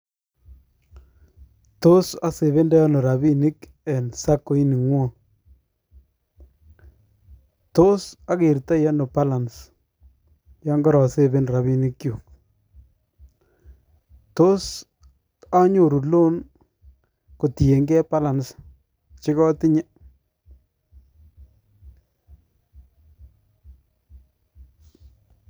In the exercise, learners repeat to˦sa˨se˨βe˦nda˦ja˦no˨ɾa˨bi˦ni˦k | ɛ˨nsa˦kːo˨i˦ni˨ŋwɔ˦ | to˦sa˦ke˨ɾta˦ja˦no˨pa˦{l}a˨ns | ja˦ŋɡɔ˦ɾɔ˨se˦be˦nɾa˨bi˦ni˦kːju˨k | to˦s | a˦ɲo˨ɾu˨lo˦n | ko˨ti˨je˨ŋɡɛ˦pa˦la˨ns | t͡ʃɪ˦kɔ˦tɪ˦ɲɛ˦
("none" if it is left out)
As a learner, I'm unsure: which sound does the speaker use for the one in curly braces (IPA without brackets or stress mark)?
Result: l